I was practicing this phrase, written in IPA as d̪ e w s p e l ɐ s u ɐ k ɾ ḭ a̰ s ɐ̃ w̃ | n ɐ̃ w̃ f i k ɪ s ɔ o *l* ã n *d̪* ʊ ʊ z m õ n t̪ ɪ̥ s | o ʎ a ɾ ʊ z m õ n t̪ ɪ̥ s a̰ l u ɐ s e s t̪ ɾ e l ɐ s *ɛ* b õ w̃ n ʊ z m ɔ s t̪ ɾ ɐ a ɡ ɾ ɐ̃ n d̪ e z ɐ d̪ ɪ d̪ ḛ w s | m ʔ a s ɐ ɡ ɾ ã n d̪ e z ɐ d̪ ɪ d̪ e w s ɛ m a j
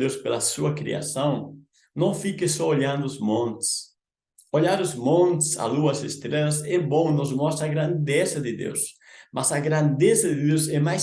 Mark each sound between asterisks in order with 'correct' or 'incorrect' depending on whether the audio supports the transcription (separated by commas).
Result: incorrect, correct, correct